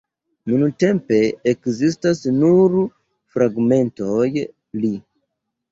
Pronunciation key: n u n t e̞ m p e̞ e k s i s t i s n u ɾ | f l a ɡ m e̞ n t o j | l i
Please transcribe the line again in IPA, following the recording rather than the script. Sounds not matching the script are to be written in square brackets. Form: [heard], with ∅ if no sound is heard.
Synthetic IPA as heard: n u n t e̞ m p e̞ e k [z] i s t [a] s n u ɾ | f [ɾ] a ɡ m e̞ n t o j | l i